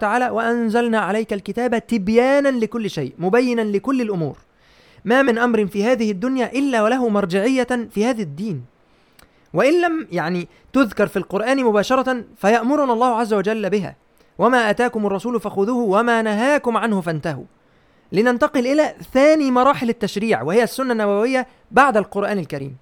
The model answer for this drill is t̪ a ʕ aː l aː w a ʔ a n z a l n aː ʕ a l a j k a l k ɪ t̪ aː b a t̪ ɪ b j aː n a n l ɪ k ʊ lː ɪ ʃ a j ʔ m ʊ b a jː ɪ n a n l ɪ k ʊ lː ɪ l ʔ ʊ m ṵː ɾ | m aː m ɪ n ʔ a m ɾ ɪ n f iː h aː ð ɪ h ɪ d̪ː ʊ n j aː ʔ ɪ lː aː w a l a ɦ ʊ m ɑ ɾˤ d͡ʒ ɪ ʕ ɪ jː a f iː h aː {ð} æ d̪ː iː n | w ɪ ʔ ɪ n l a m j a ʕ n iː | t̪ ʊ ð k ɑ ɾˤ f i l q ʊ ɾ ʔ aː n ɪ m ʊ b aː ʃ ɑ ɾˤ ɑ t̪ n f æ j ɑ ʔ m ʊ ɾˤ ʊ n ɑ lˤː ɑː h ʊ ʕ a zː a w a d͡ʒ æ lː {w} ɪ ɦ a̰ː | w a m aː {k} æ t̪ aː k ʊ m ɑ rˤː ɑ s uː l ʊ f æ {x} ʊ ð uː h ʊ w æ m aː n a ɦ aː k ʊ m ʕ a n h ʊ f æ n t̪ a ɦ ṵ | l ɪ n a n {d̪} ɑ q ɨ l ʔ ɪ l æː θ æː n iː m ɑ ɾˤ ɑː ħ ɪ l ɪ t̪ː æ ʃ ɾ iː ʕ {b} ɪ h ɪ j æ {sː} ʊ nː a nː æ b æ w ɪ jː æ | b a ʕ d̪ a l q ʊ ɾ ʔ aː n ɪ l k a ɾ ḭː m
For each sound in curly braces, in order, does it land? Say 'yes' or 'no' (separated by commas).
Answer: yes, no, no, yes, no, no, yes